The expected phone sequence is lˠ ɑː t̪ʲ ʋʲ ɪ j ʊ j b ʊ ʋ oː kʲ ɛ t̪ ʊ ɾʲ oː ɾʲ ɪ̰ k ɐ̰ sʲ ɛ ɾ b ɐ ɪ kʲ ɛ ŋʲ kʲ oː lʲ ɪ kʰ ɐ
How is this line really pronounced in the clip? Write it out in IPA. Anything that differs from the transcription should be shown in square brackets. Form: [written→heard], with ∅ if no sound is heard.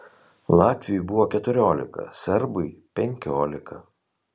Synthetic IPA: lˠ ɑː t̪ʲ ʋʲ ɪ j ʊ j b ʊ ʋ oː kʲ ɛ t̪ ʊ ɾʲ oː [ɾʲ→lʲ] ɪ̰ k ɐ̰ sʲ ɛ ɾ b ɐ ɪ [kʲ→pʲ] ɛ ŋʲ kʲ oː lʲ ɪ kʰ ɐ